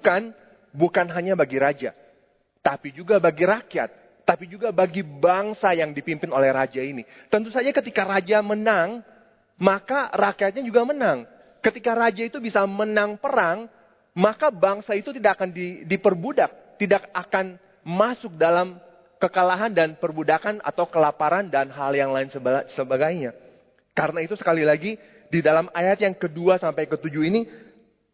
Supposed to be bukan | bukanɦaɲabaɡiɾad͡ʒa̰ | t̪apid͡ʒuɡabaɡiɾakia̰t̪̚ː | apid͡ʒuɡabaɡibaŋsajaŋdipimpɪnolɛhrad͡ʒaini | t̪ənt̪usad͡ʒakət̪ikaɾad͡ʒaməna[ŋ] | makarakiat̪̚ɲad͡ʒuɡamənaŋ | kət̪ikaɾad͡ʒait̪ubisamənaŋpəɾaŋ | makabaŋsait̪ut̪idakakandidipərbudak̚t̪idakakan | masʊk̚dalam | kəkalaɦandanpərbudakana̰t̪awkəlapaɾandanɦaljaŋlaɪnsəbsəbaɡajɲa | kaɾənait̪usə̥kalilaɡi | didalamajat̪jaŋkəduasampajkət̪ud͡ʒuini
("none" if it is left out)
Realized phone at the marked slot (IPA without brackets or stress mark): ŋ